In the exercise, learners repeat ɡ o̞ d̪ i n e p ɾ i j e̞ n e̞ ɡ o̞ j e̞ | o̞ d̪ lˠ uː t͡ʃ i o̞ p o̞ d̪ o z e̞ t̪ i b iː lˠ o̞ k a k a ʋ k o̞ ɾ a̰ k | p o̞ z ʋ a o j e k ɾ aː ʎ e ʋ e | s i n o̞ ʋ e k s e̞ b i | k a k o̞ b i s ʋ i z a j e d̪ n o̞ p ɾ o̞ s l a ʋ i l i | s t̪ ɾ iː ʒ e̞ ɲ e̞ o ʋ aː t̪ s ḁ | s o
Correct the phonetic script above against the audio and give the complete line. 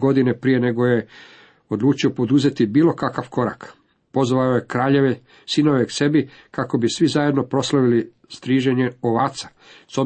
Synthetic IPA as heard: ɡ o̞ d̪ i n e p ɾ i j e̞ n e̞ ɡ o̞ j e̞ | o̞ d̪ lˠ uː t͡ʃ i o̞ p o̞ d̪ u z e̞ t̪ i b iː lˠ o̞ k a k a ʋ k o̞ ɾ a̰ k | p o̞ z ʋ a o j e k ɾ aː ʎ e ʋ e | s i n o̞ ʋ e k s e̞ b i | k a k o̞ b i s ʋ i z a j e d̪ n o̞ p ɾ o̞ s l a ʋ i l i | s t̪ ɾ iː ʒ e̞ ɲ e̞ o ʋ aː t̪ s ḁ | s o